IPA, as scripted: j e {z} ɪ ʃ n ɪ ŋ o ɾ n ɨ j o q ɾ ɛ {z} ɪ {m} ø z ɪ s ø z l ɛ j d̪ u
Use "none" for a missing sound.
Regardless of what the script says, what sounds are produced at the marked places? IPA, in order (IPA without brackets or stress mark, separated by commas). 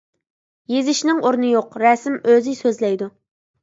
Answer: z, s, m